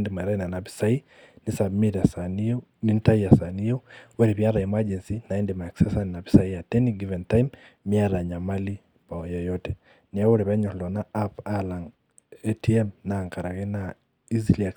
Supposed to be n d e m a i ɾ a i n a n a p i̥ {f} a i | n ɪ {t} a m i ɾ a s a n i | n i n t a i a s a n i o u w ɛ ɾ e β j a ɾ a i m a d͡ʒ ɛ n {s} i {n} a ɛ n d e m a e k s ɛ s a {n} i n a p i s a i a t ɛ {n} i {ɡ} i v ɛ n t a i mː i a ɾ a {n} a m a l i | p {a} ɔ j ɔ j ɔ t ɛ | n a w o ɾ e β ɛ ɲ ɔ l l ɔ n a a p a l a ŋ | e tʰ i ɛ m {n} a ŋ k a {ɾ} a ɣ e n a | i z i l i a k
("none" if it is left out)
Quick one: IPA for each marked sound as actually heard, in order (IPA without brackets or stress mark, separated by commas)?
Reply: s, s, s, n, n, n, ɡ, ɲ, a, n, ɾ